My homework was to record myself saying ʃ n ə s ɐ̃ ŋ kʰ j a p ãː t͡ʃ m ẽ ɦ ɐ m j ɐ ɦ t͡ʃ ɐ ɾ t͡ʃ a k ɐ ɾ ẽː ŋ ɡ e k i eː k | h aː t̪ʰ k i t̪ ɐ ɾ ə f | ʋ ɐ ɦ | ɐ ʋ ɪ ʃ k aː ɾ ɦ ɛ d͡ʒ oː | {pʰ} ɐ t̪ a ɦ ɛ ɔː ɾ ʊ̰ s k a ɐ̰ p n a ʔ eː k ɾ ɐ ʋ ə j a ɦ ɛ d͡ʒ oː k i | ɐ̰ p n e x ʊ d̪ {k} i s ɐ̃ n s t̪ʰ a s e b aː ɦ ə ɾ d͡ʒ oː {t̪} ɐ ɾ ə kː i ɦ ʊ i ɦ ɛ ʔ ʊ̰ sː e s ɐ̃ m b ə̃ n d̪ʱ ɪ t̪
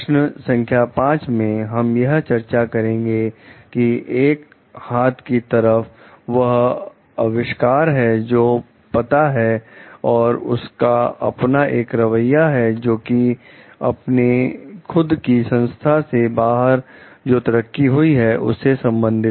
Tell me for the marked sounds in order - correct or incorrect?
incorrect: p, correct, correct

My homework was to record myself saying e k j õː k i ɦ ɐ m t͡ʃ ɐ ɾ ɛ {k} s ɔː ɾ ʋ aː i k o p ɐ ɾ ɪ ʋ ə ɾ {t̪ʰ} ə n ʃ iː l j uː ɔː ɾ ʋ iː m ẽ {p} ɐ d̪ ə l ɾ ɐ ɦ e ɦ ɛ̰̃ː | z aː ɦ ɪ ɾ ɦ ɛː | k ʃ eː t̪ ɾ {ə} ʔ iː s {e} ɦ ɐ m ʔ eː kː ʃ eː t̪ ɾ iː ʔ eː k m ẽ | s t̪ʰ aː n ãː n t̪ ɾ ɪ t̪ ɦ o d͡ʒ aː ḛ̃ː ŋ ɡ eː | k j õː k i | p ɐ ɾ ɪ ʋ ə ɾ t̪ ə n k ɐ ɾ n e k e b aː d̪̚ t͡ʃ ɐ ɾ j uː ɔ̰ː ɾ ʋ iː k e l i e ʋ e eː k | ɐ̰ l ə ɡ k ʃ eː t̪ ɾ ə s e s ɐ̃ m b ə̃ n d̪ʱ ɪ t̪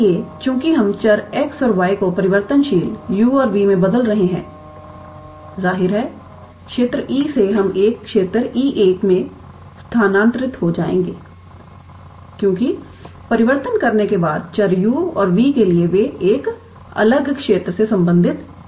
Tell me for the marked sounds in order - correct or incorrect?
correct, incorrect: t̪, incorrect: b, correct, correct

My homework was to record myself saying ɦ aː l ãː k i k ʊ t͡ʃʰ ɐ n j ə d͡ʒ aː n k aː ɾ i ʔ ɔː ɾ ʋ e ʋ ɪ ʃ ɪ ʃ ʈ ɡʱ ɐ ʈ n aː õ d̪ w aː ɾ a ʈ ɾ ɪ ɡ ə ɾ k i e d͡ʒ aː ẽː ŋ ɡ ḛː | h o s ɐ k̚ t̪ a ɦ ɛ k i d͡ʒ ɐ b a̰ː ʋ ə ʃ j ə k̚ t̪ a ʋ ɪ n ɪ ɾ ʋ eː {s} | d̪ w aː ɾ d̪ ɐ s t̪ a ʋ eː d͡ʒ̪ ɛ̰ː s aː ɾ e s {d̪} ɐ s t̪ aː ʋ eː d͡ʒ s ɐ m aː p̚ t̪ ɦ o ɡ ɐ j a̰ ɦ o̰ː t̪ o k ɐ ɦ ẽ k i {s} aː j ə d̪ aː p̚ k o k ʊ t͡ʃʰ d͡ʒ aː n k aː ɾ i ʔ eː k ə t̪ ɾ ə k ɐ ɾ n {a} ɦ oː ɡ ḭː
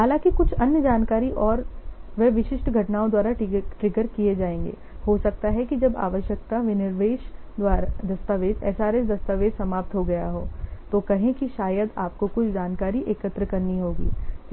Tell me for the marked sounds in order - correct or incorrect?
incorrect: ʃ, correct, incorrect: ʃ, incorrect: i

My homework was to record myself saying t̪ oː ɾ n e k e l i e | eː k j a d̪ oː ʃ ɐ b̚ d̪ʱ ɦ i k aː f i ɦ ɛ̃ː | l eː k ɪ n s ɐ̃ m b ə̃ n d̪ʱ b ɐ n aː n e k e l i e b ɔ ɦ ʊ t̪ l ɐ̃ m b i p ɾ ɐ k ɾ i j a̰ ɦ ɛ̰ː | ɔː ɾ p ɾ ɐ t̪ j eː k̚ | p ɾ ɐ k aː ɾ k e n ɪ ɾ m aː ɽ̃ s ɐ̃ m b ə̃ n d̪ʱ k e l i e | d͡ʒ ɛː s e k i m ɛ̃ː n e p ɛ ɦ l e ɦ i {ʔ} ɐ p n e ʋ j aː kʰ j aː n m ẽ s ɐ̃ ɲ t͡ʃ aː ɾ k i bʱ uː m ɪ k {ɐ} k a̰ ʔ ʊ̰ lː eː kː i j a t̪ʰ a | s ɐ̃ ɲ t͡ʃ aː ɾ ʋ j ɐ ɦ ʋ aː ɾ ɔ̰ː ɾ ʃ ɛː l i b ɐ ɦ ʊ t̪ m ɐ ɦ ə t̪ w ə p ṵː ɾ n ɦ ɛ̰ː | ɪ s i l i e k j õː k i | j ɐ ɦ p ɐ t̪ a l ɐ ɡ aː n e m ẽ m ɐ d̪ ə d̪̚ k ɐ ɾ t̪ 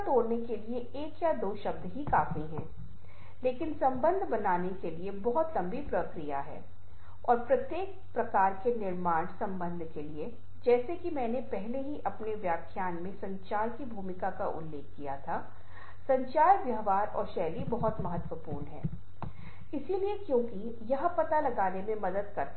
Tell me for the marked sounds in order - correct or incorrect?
correct, incorrect: a

